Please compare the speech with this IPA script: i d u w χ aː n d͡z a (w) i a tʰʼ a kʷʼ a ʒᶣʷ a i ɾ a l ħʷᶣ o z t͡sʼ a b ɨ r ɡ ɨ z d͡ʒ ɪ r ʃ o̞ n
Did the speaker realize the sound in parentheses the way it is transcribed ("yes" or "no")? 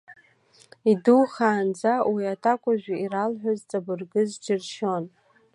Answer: yes